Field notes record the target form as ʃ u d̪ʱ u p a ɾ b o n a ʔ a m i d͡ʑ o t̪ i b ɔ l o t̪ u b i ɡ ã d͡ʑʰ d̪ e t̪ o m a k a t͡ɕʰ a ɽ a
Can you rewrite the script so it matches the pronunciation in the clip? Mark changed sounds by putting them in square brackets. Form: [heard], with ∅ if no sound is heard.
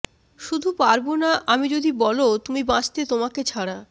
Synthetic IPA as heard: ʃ u d̪ʱ u p a ɾ b o n a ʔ a m i d͡ʑ o [d̪] i b ɔ l o t̪ u [m] i [b] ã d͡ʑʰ [t̪] e t̪ o m a k [e] t͡ɕʰ a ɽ a